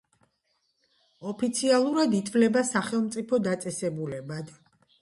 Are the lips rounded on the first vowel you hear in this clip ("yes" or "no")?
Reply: yes